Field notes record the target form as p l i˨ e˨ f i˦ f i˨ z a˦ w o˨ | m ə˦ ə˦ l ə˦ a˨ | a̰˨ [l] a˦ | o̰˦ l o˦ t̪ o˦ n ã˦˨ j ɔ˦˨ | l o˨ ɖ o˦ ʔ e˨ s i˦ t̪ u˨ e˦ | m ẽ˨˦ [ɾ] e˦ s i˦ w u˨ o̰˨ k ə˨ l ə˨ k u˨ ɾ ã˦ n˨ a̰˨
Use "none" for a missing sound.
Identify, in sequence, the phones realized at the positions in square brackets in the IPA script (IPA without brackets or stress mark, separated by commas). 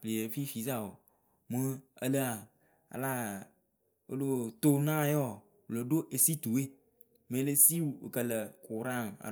l, l